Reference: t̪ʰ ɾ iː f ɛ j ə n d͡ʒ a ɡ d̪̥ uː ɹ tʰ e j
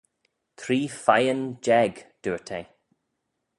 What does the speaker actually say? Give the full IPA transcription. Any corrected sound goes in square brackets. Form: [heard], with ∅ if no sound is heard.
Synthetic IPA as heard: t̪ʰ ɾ iː f [a] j ə n d͡ʒ [ɛ] ɡ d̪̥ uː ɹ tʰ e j